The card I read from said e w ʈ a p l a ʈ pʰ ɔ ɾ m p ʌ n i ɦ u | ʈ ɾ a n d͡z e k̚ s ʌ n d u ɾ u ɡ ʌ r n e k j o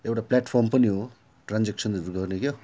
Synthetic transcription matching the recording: e w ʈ a p l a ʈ pʰ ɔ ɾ m p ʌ n i ɦ o | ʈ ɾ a n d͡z e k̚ s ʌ n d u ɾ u ɡ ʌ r n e k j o